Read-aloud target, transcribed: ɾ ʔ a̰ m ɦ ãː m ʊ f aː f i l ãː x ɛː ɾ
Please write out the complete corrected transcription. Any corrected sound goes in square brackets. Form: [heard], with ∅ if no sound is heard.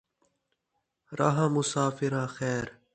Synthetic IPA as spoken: ɾ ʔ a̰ [∅] ɦ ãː m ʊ [s] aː f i [ɾ] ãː x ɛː ɾ